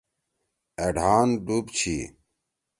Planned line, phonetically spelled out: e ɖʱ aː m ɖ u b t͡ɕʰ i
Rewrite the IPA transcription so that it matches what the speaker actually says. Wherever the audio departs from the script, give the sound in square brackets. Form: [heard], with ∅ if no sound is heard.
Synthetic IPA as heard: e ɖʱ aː [n] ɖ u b t͡ɕʰ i